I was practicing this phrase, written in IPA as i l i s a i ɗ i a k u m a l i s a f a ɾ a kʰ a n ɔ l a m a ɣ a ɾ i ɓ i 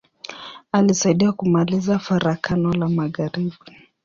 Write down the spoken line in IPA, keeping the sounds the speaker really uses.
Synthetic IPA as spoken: a l i s a i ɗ i a k u m a l i z a f a ɾ a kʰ a n ɔ l a m a ɣ a ɾ i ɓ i